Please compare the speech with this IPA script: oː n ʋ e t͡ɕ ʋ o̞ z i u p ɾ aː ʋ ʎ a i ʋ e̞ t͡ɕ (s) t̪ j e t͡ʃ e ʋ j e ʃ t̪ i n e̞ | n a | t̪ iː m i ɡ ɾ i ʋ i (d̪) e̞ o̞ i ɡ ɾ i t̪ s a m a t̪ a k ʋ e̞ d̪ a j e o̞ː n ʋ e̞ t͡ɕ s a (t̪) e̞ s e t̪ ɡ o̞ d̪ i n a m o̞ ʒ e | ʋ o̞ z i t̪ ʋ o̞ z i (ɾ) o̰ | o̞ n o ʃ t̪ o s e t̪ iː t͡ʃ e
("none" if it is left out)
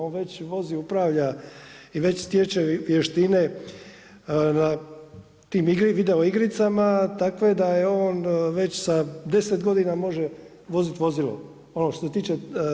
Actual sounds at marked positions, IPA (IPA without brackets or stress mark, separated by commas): s, d̪, d̪, l